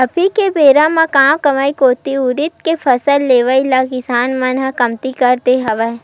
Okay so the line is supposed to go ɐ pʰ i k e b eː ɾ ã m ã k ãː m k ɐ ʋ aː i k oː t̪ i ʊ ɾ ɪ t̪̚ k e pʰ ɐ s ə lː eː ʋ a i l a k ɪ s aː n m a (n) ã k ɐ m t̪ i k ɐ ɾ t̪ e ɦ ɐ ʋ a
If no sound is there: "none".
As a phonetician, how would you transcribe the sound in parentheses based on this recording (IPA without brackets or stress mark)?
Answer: n